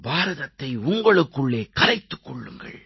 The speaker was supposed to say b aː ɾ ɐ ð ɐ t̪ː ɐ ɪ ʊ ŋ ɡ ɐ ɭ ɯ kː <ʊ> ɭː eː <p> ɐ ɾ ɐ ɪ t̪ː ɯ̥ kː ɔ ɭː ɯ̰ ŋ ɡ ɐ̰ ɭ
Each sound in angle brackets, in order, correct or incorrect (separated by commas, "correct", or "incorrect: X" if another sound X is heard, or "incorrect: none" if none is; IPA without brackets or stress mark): incorrect: ɯ, incorrect: k